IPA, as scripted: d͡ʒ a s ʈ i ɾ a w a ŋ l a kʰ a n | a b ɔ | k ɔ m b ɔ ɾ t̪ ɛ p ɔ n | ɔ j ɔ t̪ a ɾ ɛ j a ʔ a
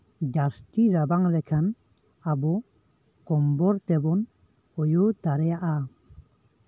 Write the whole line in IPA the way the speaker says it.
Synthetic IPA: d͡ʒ a s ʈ i ɾ a b a ŋ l ɛ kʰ a n | a b ɔ | k ɔ m b ɔ ɾ t̪ ɛ b ɔ n | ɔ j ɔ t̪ a ɾ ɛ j a ʔ a

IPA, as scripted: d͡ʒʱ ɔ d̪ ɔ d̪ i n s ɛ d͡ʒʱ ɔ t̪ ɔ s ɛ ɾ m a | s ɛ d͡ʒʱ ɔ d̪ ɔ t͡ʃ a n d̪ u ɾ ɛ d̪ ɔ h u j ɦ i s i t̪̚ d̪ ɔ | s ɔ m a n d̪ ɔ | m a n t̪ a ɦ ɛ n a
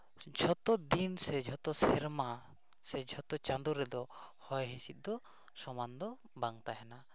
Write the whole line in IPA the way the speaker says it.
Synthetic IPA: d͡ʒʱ ɔ t̪ ɔ d̪ i n s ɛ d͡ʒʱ ɔ t̪ ɔ s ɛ ɾ m a | s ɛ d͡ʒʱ ɔ t̪ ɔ t͡ʃ a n d̪ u ɾ ɛ d̪ ɔ h ɔ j ɦ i s i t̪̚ d̪ ɔ | s ɔ m a n d̪ ɔ | b a ŋ t̪ a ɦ ɛ n a

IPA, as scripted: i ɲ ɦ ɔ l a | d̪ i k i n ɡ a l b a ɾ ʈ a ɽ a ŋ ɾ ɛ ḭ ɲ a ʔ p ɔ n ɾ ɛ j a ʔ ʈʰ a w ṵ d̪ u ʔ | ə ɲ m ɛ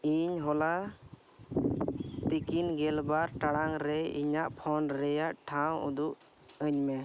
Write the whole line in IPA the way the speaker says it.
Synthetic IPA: i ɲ ɦ ɔ l a | t̪ i k i n ɡ ɛ l b a ɾ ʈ a ɽ a ŋ ɾ ɛ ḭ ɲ a ʔ pʰ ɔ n ɾ ɛ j a ʔ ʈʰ a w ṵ d̪ u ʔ | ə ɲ m ɛ

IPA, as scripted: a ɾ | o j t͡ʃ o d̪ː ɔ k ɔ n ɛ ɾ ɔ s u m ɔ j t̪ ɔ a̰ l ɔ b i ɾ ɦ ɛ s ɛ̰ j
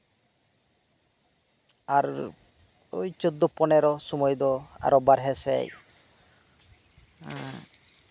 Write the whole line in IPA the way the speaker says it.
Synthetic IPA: a ɾ | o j t͡ʃ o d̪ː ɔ p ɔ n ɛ ɾ ɔ s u m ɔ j d̪ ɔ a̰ ɾ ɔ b a ɾ ɦ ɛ s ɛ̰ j

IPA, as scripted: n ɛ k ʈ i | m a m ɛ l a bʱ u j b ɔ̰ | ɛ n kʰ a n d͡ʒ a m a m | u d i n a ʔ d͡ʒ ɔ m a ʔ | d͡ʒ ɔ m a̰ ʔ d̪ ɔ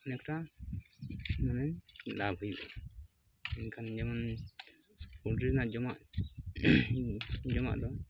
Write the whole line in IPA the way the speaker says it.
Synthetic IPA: n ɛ k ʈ a | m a n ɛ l a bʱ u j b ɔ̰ | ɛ n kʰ a n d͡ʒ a m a n | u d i n a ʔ d͡ʒ ɔ m a ʔ | d͡ʒ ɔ m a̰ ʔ d̪ ɔ

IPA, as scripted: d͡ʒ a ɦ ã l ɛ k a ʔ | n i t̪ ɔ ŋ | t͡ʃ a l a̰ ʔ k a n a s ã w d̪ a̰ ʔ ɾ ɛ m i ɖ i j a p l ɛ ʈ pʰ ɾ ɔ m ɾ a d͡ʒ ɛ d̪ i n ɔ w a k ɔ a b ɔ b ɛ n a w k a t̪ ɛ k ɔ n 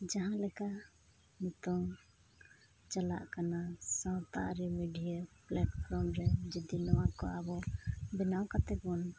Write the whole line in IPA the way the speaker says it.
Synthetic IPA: d͡ʒ a ɦ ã l ɛ k a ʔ | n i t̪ ɔ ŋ | t͡ʃ a l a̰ ʔ k a n a s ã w t̪ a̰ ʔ ɾ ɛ m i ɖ i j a p l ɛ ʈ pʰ ɾ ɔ m ɾ ɛ d͡ʒ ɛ d̪ i n ɔ w a k ɔ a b ɔ b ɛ n a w k a t̪ ɛ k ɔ n

